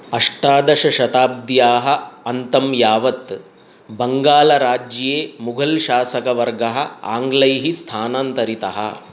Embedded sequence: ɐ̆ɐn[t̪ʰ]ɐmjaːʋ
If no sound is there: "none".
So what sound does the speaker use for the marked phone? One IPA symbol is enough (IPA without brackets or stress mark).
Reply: t̪